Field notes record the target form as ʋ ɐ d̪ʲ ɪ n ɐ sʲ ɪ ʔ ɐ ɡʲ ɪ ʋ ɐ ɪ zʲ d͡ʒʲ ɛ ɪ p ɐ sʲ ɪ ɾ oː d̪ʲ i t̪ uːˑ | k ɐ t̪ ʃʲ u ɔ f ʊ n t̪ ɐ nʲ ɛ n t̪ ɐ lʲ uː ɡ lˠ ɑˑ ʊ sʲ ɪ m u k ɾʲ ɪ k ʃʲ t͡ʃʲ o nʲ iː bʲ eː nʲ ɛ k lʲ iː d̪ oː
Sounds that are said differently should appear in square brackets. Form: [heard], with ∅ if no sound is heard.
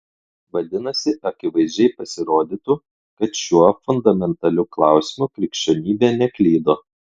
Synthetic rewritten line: ʋ ɐ d̪ʲ ɪ n ɐ sʲ ɪ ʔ ɐ [kʲ] ɪ ʋ ɐ ɪ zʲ d͡ʒʲ ɛ ɪ p ɐ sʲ ɪ ɾ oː d̪ʲ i t̪ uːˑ | k ɐ t̪ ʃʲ u ɔ f ʊ n [d̪] ɐ [mʲ] ɛ n t̪ ɐ lʲ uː [k] lˠ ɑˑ ʊ sʲ ɪ m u k ɾʲ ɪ k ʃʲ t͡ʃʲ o nʲ iː bʲ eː nʲ ɛ k lʲ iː d̪ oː